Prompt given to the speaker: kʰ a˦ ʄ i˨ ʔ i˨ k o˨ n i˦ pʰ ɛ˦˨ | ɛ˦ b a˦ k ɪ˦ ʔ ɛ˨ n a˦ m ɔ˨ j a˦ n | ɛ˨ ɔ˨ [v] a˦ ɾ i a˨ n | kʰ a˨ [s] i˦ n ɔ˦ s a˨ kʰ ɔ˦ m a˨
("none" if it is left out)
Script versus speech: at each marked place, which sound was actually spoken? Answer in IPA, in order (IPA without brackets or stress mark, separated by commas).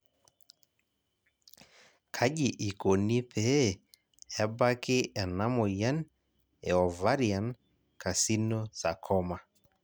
v, s